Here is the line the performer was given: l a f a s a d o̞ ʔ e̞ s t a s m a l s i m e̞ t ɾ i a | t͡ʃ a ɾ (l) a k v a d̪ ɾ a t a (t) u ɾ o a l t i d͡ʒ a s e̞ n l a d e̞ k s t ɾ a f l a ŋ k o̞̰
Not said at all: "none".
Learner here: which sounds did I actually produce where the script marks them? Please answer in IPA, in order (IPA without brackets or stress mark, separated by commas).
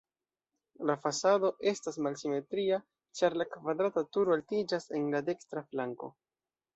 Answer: l, t